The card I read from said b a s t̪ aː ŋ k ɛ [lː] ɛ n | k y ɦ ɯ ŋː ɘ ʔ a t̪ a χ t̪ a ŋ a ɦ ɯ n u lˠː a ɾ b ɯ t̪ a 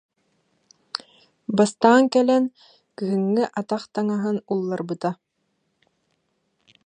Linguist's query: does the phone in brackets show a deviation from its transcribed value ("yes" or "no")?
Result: yes